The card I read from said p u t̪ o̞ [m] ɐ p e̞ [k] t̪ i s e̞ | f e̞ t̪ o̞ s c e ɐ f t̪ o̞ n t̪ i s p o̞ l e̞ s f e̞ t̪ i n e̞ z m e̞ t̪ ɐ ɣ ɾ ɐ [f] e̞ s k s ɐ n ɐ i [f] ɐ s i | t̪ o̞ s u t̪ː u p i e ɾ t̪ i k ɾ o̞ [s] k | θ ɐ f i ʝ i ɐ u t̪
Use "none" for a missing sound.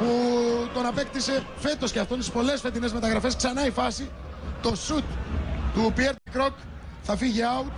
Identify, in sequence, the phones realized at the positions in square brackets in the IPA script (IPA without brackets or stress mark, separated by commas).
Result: n, k, f, f, none